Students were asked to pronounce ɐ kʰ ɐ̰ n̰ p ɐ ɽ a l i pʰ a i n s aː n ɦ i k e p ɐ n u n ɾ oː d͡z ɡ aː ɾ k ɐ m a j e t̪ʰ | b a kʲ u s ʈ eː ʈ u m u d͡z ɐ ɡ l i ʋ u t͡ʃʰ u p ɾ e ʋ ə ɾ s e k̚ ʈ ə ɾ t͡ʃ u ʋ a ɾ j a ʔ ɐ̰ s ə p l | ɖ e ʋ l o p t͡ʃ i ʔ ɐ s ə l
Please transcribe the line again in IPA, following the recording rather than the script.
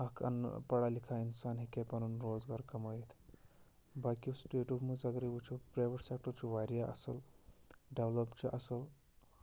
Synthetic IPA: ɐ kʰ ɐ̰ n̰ p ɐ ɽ a l i kʰ a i n s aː n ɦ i k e p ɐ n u n ɾ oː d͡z ɡ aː ɾ k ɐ m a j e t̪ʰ | b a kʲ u s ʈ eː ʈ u m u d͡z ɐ ɡ ɾ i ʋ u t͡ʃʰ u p ɾ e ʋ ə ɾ s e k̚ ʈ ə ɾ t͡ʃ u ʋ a ɾ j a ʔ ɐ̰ s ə l | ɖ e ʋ l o p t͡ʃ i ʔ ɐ s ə l